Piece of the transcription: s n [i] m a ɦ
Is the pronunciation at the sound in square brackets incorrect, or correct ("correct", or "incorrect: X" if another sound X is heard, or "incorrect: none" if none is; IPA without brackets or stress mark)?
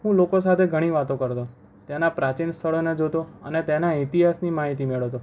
correct